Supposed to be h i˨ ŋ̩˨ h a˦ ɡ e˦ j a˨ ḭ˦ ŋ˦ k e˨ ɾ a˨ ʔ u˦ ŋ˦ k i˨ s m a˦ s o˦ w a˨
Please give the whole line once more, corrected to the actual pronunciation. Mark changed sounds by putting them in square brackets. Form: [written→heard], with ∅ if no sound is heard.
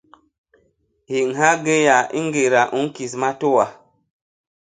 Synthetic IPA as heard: h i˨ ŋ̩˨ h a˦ ɡ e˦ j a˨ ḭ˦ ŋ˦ [k→ɡ] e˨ ɾ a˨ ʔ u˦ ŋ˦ k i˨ s m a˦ [s→t] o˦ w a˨